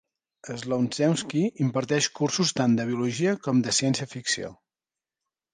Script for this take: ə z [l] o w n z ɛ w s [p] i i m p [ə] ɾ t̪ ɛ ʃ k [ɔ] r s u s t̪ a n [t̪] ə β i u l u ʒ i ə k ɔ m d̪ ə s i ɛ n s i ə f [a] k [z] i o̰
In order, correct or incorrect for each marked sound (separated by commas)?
correct, incorrect, correct, incorrect, incorrect, incorrect, incorrect